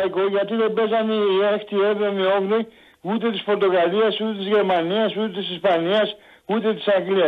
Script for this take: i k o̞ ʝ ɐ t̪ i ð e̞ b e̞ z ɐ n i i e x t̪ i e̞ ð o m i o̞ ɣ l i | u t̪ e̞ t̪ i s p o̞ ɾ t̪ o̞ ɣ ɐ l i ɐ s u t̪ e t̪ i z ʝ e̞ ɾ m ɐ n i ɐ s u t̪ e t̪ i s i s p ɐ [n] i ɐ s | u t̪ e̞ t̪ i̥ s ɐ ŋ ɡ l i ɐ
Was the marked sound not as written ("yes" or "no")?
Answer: no